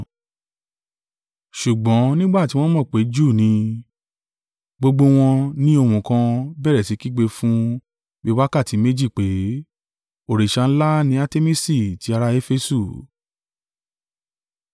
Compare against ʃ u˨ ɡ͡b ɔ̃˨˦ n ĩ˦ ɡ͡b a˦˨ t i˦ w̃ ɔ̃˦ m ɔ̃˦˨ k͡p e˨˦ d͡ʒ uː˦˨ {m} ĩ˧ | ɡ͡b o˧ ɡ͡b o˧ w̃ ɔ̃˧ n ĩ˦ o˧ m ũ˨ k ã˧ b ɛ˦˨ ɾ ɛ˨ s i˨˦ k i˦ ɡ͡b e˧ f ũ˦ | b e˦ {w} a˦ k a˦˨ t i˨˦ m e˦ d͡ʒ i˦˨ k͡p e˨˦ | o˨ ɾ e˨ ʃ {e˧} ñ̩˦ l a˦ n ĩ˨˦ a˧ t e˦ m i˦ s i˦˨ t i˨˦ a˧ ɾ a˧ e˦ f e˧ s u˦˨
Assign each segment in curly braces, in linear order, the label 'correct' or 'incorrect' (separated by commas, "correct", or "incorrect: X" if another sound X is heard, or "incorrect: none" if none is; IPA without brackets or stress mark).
incorrect: n, correct, incorrect: a˧